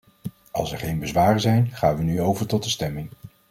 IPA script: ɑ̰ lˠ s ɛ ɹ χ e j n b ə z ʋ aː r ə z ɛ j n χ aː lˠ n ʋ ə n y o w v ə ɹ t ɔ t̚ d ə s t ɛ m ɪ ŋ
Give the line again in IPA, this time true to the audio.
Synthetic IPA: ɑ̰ lˠ s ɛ ɹ χ e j n b ə z ʋ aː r ə z ɛ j n χ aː n ʋ ə n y o w v ə ɹ t ɔ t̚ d ə s t ɛ m ɪ ŋ